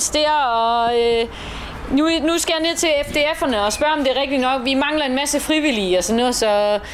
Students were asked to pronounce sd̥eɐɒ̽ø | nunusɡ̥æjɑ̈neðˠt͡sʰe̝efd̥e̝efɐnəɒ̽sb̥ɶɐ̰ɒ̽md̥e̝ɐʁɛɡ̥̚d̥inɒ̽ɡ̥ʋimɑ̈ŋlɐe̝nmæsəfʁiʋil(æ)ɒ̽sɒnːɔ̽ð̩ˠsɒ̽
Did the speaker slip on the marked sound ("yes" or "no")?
yes